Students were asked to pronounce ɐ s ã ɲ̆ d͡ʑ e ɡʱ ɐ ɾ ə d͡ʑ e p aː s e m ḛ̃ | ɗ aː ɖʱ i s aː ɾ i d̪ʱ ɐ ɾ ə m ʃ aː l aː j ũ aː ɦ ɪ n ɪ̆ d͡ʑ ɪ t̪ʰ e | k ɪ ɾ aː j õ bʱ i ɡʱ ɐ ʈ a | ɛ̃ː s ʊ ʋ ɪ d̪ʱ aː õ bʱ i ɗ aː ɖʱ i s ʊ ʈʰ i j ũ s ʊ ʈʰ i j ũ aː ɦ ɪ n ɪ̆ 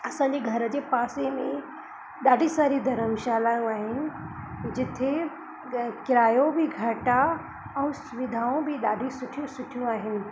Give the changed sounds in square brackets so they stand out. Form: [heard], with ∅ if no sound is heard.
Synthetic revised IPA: ɐ s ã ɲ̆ d͡ʑ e ɡʱ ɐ ɾ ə d͡ʑ e p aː s e m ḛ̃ | ɗ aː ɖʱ i s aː ɾ i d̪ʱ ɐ ɾ ə m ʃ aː l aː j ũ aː ɦ ɪ n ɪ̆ d͡ʑ ɪ t̪ʰ e | k ɪ ɾ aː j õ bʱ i ɡʱ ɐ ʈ a | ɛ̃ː s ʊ ʋ ɪ d̪ʱ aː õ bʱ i ɗ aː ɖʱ i s ʊ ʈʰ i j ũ s ʊ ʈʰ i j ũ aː ɦ ɪ n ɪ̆